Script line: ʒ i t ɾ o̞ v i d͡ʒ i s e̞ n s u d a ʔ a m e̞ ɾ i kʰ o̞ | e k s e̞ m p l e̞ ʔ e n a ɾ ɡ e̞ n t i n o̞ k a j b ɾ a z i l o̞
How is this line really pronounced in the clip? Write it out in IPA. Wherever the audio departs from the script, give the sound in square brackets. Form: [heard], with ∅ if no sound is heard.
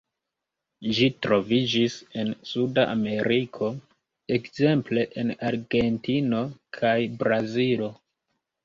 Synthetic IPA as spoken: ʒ i t ɾ o̞ v i d͡ʒ i s e̞ n s u d a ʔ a m e̞ ɾ i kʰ o̞ | e k [z] e̞ m p l e̞ ʔ e n a ɾ ɡ e̞ n t i n o̞ [kʰ] a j b ɾ a z i l o̞